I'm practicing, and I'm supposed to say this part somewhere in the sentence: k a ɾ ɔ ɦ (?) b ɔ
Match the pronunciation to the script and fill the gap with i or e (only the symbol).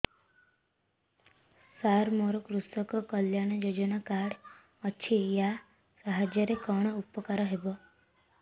e